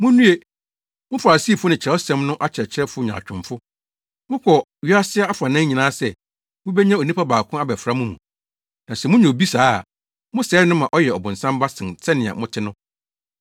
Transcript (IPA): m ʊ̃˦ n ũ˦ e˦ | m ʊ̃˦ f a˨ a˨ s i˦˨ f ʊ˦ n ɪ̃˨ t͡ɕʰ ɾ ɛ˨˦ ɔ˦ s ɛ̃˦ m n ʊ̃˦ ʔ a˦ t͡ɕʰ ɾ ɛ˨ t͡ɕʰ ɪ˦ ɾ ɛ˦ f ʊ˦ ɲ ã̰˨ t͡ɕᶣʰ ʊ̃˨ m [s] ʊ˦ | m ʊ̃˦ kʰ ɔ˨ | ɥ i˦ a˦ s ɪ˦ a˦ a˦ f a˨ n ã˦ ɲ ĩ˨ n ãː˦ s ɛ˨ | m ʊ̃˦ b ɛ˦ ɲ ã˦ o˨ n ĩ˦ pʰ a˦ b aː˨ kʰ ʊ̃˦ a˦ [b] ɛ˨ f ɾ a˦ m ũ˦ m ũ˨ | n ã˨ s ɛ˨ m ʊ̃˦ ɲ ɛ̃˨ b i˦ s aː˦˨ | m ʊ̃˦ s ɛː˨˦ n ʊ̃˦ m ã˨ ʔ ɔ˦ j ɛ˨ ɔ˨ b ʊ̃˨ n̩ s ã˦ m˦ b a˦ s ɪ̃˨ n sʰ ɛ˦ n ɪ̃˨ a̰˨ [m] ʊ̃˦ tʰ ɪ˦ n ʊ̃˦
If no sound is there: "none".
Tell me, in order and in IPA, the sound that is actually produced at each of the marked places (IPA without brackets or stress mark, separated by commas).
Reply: f, b, m